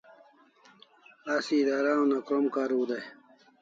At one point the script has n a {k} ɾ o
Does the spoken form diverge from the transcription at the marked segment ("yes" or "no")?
no